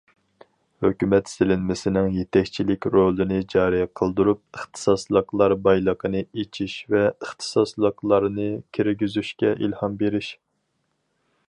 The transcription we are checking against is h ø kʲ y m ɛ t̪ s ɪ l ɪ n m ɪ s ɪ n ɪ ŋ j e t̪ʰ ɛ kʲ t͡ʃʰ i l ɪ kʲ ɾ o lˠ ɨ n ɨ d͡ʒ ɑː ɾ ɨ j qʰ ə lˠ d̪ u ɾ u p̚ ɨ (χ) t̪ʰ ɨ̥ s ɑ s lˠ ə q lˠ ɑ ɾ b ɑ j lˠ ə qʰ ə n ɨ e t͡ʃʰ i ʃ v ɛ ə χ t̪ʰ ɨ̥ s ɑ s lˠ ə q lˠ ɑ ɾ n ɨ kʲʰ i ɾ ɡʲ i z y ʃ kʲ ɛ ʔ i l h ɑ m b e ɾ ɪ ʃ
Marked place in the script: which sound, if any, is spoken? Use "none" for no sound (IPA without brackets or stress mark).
χ